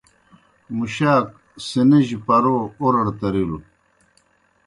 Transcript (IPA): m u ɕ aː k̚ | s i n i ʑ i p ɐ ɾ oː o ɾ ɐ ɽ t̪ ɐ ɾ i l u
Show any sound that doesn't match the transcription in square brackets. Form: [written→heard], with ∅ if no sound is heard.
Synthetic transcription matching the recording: m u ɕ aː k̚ | s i n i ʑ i p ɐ ɾ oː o ɾ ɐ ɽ t̪ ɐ ɾ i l u